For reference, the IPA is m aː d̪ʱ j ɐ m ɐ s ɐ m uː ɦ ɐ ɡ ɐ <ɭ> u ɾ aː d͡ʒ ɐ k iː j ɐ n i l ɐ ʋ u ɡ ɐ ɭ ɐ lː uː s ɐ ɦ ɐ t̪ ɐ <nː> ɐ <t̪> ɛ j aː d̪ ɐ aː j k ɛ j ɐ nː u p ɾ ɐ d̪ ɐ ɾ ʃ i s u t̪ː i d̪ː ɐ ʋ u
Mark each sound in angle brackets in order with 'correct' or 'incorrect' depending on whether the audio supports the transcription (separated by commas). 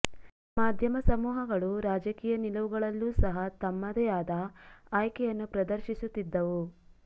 correct, incorrect, incorrect